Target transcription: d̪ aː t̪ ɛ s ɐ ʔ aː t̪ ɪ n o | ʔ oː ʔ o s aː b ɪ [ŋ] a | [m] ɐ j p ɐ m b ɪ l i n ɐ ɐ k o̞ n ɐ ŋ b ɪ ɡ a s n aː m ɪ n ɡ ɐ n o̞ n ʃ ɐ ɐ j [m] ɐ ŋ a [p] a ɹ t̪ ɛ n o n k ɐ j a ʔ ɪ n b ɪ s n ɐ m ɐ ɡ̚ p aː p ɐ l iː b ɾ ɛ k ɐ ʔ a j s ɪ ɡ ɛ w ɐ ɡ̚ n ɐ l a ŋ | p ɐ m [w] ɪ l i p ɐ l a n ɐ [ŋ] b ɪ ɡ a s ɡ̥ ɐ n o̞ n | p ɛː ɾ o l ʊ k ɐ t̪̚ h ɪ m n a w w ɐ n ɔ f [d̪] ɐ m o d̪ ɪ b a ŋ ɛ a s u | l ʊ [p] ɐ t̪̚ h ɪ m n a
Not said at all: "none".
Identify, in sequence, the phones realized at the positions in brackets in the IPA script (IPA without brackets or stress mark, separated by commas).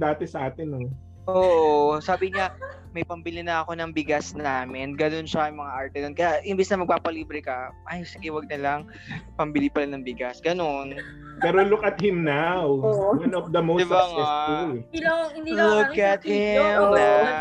ɲ, m, m, ʔ, b, ŋ, d̪, k